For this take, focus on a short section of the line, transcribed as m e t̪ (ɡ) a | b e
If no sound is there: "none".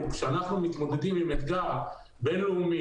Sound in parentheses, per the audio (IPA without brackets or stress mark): ɡ